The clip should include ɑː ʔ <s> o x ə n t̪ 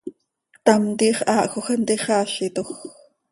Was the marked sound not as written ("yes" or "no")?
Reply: yes